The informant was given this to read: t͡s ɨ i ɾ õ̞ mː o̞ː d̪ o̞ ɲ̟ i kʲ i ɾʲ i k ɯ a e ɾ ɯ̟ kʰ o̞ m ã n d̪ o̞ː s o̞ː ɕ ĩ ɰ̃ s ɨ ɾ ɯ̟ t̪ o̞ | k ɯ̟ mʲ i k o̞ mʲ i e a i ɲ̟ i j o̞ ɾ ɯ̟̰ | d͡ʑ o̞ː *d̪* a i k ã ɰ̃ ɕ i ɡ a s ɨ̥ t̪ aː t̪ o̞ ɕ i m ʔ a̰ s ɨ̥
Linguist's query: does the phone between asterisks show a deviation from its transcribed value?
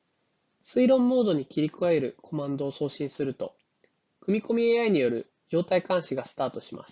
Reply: yes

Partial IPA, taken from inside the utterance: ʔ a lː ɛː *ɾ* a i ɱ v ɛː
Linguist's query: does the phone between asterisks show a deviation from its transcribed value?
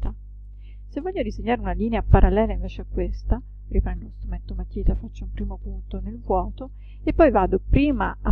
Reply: yes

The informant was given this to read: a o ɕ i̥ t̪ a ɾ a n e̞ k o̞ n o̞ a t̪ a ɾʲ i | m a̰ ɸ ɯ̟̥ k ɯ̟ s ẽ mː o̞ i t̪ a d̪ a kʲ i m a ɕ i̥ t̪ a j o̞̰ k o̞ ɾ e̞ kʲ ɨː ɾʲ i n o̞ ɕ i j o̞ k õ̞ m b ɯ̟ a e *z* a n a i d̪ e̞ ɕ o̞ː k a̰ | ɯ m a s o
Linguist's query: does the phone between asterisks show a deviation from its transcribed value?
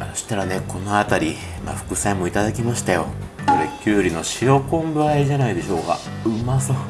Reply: yes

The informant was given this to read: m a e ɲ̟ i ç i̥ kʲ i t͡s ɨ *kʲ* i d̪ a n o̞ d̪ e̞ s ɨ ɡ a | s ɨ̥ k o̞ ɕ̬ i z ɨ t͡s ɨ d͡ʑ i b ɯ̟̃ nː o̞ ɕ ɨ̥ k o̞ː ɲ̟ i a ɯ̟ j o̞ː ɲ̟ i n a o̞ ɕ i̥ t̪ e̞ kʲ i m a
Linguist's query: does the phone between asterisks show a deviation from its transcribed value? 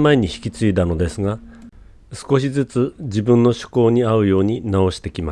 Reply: yes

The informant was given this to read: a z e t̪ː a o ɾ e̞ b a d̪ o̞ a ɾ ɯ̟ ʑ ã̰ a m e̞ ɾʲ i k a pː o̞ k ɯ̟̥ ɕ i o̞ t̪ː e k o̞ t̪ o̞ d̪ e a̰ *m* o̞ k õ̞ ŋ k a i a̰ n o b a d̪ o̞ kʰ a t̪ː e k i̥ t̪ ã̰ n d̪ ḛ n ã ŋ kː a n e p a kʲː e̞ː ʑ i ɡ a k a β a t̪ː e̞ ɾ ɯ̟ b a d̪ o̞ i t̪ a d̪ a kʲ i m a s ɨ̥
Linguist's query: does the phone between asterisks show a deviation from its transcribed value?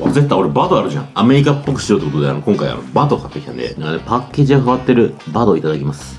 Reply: yes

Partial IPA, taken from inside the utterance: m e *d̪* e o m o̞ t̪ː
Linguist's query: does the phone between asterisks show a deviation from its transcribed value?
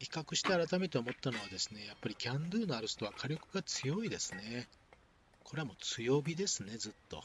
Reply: yes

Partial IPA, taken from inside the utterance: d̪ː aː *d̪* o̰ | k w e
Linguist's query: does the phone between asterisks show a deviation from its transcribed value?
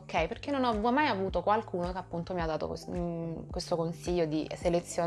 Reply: yes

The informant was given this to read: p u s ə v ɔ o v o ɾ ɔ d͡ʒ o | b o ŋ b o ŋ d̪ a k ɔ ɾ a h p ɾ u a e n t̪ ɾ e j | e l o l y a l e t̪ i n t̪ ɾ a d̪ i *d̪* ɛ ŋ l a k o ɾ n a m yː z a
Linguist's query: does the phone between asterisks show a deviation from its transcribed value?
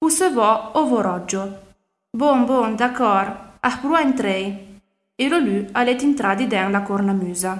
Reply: no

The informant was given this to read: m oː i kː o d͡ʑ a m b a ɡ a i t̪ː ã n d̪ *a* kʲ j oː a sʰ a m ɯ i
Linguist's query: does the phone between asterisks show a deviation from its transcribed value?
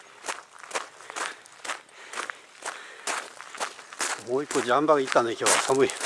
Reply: yes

